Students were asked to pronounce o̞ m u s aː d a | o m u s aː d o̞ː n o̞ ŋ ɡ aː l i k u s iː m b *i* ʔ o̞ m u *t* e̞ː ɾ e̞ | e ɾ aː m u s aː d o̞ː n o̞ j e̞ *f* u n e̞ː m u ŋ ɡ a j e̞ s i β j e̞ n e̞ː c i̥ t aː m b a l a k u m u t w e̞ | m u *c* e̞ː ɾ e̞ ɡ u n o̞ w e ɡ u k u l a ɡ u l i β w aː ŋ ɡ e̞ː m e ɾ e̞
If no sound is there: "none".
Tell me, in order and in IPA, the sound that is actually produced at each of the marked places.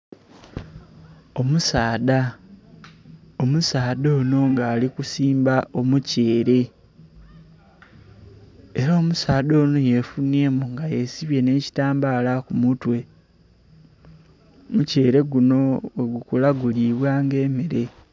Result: a, c, f, c

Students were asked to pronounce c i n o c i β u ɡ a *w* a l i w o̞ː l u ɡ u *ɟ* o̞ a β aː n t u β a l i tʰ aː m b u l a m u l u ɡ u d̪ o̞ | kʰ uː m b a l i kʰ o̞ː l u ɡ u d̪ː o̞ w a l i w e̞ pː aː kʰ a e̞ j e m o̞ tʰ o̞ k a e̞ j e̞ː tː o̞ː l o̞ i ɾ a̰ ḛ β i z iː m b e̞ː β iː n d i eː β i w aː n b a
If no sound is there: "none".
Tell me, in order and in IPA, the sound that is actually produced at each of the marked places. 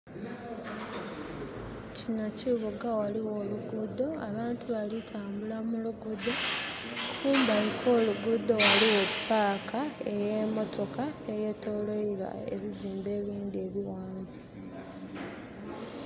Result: w, d

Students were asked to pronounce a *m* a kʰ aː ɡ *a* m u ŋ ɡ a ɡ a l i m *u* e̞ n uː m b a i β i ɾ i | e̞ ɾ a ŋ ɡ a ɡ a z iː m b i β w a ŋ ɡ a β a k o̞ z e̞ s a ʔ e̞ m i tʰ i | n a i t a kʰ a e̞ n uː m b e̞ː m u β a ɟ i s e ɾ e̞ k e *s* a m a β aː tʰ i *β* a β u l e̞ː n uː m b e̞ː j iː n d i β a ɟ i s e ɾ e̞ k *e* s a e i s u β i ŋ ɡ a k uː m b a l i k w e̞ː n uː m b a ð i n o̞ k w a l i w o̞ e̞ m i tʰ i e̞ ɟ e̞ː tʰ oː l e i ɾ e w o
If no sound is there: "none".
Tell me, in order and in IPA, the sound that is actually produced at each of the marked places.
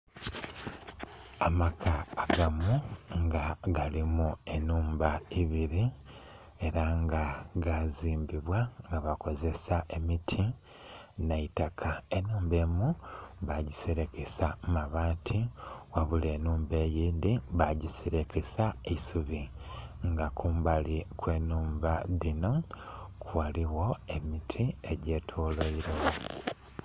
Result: m, a, u, s, w, e

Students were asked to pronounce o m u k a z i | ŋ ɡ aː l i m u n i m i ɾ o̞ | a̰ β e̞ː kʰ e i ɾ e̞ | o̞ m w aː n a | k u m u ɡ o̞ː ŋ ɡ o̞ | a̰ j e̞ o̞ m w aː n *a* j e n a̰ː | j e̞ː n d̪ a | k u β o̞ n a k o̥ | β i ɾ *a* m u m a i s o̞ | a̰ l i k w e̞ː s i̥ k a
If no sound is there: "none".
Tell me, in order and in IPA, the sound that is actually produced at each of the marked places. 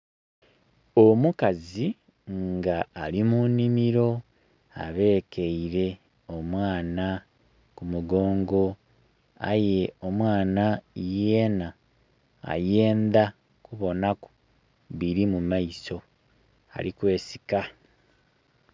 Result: a, i

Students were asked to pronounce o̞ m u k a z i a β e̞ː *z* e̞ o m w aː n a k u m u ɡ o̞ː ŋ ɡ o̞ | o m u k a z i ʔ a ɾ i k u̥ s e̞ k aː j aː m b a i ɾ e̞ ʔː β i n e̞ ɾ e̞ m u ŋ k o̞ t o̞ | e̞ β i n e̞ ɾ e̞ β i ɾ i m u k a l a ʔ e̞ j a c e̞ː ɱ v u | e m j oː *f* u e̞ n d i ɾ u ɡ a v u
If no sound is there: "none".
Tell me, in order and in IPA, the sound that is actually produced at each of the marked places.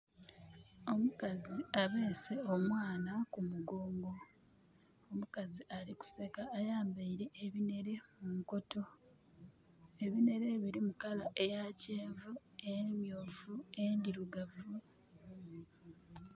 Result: s, v

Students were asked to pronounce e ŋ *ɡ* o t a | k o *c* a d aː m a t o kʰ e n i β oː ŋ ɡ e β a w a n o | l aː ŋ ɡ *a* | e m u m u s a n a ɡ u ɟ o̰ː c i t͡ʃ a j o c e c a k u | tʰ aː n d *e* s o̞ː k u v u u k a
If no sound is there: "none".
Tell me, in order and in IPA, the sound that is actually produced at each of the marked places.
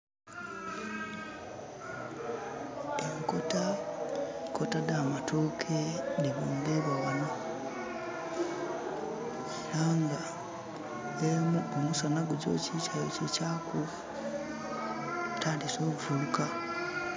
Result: k, t, a, i

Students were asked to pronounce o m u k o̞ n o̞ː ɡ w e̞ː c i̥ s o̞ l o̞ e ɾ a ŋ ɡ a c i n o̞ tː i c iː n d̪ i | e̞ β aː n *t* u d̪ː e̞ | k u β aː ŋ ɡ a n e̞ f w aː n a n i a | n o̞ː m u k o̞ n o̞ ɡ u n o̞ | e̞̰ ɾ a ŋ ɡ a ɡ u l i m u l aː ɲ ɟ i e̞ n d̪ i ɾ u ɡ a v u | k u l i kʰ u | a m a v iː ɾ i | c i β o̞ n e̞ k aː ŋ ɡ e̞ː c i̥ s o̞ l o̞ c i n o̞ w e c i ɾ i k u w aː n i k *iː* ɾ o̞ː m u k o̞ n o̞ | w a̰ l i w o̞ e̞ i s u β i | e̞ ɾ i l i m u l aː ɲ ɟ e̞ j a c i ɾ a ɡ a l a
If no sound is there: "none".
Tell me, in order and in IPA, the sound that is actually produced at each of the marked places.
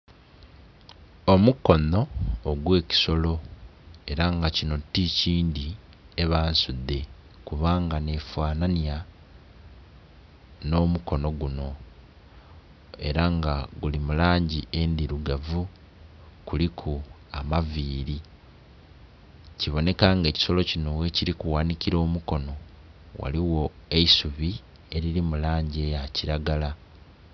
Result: s, i

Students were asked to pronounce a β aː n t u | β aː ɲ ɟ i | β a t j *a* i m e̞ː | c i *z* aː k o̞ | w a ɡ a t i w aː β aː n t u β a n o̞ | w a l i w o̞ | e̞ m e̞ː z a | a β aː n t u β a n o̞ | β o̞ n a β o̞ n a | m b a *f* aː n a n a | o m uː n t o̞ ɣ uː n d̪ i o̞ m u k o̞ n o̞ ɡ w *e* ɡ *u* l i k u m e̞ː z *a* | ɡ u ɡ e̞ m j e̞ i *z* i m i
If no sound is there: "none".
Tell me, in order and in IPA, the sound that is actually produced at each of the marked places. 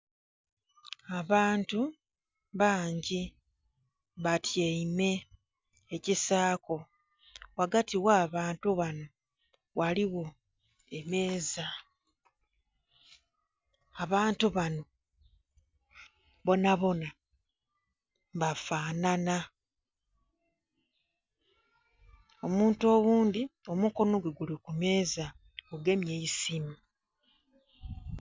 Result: e, s, f, e, u, a, s

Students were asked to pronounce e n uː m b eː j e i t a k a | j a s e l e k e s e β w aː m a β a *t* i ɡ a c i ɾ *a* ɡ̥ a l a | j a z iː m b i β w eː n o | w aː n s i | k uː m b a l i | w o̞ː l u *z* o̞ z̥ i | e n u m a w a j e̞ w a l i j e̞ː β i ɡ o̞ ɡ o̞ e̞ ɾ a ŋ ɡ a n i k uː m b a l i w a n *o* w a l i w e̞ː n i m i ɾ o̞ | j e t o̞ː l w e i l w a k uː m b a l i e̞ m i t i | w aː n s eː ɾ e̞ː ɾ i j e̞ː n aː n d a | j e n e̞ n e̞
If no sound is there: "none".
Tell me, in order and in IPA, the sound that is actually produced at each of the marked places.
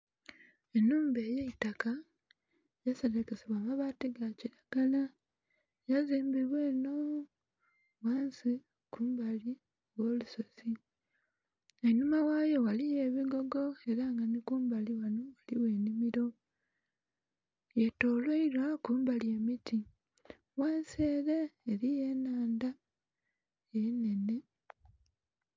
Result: t, a, s, o

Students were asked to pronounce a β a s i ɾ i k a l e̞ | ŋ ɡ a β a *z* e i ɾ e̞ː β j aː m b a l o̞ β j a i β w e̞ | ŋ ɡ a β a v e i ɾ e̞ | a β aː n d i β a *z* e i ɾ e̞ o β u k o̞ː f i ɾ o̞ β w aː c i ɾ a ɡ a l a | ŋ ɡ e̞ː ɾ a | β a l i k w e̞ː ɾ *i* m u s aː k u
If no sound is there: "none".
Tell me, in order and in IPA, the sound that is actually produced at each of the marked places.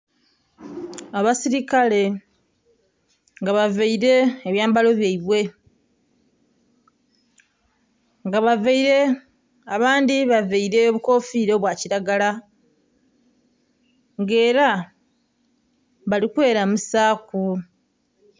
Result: v, v, a

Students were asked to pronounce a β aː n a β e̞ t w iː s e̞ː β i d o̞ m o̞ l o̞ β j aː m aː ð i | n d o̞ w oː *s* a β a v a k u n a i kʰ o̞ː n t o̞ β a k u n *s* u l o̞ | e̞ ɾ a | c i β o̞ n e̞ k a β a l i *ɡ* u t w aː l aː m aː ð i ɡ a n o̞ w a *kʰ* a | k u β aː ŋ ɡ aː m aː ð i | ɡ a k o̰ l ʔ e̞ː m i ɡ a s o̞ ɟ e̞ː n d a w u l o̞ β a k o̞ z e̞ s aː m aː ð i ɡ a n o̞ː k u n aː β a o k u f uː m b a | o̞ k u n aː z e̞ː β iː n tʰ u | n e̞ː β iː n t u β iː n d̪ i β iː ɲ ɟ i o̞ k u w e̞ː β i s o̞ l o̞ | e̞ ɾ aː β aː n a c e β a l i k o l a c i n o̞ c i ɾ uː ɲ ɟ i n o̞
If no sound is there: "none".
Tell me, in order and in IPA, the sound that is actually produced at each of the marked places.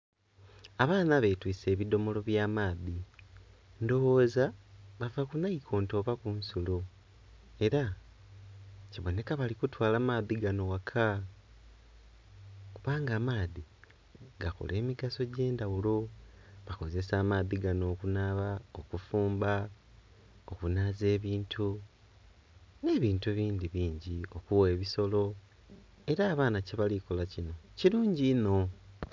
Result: z, s, k, kʰ

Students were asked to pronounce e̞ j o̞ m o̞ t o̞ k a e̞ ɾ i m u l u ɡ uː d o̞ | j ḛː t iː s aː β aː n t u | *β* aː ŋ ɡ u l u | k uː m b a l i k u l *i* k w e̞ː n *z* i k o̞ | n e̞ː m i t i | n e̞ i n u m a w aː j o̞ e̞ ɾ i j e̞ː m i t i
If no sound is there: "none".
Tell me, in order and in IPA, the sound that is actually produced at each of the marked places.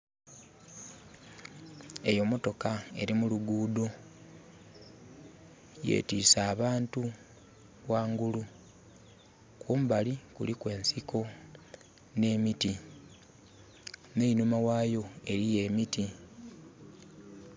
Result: w, i, s

